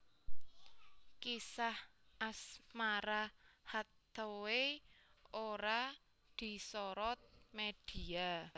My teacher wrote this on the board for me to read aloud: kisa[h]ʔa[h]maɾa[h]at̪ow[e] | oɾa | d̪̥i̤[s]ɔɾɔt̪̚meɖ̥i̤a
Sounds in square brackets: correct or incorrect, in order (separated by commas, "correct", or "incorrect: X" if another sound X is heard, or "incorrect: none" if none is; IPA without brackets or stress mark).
correct, incorrect: s, correct, correct, correct